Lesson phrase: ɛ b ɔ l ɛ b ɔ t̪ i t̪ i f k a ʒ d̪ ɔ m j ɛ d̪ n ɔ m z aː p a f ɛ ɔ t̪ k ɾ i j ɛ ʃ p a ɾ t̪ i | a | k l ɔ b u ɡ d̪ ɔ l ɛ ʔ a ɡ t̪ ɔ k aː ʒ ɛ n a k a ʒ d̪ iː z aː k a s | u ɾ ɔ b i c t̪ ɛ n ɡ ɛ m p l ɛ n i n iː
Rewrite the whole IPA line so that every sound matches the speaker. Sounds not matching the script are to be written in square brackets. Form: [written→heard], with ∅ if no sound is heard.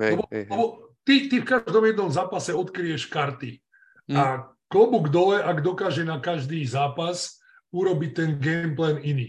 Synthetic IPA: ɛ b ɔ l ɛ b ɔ t̪ i t̪ i f k a ʒ d̪ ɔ m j ɛ d̪ n ɔ m z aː p a [f→s] ɛ ɔ t̪ k ɾ i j ɛ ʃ [p→k] a ɾ t̪ i | a | k l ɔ b u ɡ d̪ ɔ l ɛ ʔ a ɡ [t̪→d̪] ɔ k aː ʒ ɛ n a k a ʒ d̪ iː z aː [k→p] a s | u ɾ ɔ b i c t̪ ɛ n ɡ ɛ m p l ɛ n i n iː